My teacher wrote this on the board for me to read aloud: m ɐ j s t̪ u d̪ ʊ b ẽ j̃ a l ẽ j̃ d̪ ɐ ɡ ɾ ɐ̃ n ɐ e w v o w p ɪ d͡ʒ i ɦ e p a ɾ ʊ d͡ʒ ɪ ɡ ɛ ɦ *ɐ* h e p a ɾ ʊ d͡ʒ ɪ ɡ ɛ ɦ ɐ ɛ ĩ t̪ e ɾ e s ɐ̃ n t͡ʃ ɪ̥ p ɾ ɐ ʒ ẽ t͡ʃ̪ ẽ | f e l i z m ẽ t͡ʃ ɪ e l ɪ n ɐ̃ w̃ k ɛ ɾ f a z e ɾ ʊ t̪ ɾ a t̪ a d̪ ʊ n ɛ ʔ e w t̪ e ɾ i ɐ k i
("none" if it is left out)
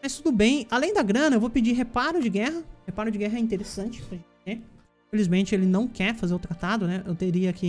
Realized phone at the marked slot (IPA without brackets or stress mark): ɐ